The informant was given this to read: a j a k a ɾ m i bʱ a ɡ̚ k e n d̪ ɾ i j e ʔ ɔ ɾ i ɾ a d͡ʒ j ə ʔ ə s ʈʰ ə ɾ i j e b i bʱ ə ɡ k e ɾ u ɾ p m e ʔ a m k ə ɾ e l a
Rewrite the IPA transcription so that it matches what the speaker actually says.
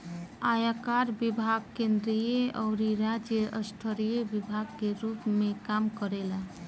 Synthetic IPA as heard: a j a k a ɾ b i bʱ a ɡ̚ k e n d̪ ɾ i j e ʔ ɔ ɾ i ɾ a d͡ʒ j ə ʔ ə s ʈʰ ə ɾ i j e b i bʱ a ɡ k e ɾ u p m e k a m k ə ɾ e l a

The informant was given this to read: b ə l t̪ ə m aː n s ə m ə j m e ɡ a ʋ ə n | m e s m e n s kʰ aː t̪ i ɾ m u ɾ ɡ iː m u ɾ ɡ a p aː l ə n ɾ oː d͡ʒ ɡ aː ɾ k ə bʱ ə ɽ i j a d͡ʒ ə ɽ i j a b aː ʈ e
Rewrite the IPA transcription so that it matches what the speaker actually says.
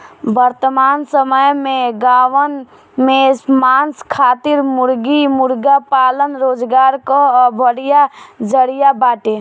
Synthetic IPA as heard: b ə ɾ t̪ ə m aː n s ə m ə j m e ɡ a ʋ ə n | m e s m a n s kʰ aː t̪ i ɾ m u ɾ ɡ i m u ɾ ɡ a p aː l ə n ɾ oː d͡ʒ ɡ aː ɾ k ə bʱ ə ɽ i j a d͡ʒ ə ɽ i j a b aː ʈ e

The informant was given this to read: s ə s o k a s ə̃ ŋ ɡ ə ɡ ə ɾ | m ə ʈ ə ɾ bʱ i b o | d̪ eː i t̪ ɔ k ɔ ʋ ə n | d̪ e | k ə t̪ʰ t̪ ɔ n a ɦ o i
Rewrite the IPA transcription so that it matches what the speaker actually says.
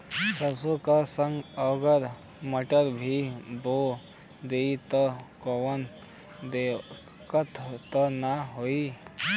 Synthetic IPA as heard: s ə s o k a s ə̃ ŋ ɡ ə ɡ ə ɾ | m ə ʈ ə ɾ bʱ i b o | d̪ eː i t̪ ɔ k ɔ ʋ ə n | d̪ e | k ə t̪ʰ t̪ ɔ n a ɦ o i

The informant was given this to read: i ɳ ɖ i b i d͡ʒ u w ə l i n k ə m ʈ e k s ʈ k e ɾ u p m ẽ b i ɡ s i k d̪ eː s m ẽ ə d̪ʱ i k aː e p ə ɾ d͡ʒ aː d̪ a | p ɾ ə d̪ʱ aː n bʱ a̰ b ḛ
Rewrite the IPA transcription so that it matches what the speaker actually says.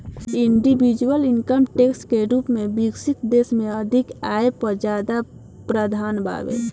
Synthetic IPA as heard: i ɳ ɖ i b i d͡ʒ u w ə l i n k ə m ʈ e k s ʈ k e ɾ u p m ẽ b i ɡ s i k d̪ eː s m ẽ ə d̪ʱ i k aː e p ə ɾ d͡ʒ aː d̪ a | p ɾ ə d̪ʱ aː n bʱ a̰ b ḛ

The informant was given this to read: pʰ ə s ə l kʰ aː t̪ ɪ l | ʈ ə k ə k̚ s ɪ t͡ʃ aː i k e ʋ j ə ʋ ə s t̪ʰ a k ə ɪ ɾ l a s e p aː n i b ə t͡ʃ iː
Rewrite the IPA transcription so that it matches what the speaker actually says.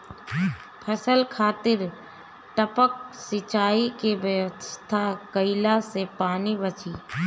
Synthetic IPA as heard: pʰ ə s ə l kʰ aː t̪ ɪ ɾ | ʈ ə p ə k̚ s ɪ t͡ʃ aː i k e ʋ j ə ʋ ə s t̪ʰ a k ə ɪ l a s e p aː n i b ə t͡ʃ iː

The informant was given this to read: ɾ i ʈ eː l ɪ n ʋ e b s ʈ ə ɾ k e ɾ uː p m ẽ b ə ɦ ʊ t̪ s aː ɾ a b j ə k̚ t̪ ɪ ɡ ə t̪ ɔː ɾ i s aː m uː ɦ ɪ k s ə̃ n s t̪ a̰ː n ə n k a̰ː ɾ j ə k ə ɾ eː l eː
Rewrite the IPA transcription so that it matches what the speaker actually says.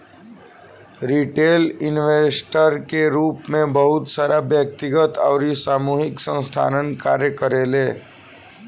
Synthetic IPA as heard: ɾ i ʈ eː l ɪ n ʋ e s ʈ ə ɾ k e ɾ uː p m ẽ b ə ɦ ʊ t̪ s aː ɾ a b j ə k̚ t̪ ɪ ɡ ə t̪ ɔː ɾ i s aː m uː ɦ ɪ k s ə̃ n s t̪ʰ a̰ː n ə n k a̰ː ɾ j ə k ə ɾ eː l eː

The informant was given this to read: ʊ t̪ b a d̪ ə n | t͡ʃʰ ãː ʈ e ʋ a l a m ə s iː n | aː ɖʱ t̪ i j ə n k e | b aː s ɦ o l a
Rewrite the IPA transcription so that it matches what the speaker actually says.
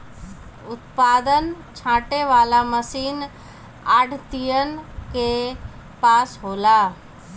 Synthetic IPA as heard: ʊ t̪ p a d̪ ə n | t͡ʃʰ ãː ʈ e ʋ a l a m ə s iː n | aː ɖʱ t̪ i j ə n k e | p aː s ɦ o l a

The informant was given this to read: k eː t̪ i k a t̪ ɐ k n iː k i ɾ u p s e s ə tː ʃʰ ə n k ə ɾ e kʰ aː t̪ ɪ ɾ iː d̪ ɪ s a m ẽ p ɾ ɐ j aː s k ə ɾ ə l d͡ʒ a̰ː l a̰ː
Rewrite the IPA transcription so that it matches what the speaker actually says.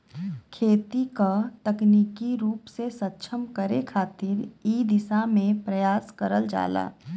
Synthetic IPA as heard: kʰ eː t̪ i k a t̪ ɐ k n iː k i ɾ uː p s e s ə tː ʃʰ ə m k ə ɾ e kʰ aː t̪ ɪ ɾ iː d̪ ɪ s a m ẽ p ɾ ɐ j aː s k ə ɾ ə l d͡ʒ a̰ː l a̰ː

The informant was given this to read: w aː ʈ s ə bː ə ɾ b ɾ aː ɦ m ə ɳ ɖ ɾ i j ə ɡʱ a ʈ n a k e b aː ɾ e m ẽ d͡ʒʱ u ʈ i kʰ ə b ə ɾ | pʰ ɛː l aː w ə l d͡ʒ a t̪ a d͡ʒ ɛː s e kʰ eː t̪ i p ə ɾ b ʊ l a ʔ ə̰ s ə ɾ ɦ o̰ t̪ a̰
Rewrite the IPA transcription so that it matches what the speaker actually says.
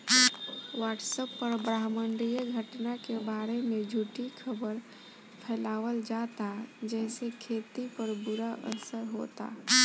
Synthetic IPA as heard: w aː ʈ s ə pː ə ɾ b ɾ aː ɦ m ə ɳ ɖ ɾ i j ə ɡʱ ə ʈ n a k e b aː ɾ e m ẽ d͡ʒʱ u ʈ i kʰ ə b ə ɾ | pʰ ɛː l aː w ə l d͡ʒ a t̪ a d͡ʒ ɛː s e kʰ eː t̪ i p ə ɾ b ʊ ɾ a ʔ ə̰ s ə ɾ ɦ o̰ t̪ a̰

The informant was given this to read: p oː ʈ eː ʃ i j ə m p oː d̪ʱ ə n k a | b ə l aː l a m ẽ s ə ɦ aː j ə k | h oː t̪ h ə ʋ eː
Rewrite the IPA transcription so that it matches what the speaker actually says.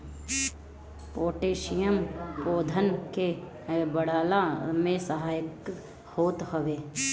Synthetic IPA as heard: p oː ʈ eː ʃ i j ə m p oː d̪ʱ ə n k e | b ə ɽ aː l a m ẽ s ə ɦ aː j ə k | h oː t̪ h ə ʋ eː

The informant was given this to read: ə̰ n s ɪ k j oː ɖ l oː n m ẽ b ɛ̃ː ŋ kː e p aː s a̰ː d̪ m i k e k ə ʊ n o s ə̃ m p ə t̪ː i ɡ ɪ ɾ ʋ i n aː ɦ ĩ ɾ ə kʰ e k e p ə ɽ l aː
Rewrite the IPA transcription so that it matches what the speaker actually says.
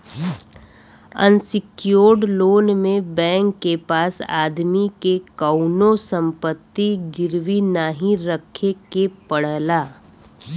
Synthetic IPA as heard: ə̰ n s ɪ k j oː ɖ l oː n m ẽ b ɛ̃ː ŋ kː e p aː s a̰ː d̪ m i k e k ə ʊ n o s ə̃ m p ə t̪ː i ɡ ɪ ɾ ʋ i n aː ɦ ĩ ɾ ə kʰ e k e p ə ɽ l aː

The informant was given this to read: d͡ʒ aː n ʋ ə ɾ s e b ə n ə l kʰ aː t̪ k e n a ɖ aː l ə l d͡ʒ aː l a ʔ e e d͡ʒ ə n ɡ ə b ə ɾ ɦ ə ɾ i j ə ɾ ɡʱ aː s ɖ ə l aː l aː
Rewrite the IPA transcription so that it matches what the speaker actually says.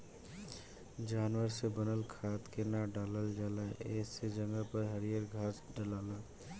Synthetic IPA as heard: d͡ʒ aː n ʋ ə ɾ s e b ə n ə l kʰ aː t̪ k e n a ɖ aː l ə l d͡ʒ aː l a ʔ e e d͡ʒ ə ŋ ɡ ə p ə ɾ ɦ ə ɾ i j ə ɾ ɡʱ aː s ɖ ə l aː l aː

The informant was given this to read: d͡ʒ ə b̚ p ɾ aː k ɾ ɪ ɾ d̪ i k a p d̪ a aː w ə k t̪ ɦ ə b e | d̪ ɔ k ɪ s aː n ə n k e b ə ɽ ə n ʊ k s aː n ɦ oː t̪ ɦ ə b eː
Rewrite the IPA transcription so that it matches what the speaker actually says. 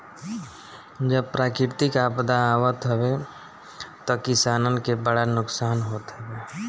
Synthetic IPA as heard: d͡ʒ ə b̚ p ɾ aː k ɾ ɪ ɾ t̪ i k a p d̪ a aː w ə t̪ ɦ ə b e | t̪ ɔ k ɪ s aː n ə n k e b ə ɽ a n ʊ k s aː n ɦ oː t̪ ɦ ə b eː

